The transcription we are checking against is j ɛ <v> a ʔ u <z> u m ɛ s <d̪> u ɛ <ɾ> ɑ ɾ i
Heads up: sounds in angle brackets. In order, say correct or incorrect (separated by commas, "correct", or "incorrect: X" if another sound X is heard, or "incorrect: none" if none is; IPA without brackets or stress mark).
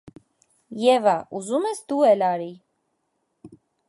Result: correct, correct, correct, incorrect: l